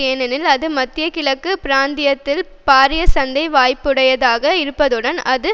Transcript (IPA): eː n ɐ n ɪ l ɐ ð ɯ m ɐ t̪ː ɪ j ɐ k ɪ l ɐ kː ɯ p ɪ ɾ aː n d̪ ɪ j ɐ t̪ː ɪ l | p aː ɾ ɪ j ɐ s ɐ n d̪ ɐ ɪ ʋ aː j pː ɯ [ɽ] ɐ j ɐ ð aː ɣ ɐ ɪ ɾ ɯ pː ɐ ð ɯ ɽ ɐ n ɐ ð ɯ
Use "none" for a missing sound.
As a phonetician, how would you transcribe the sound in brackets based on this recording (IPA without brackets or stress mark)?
ɽ